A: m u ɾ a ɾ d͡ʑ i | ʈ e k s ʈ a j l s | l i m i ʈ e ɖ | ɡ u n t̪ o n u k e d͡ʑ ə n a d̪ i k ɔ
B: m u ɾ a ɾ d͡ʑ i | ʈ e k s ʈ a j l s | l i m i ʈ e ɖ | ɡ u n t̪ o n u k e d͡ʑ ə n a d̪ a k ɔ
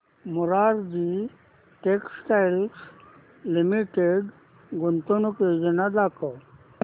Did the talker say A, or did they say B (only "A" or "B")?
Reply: B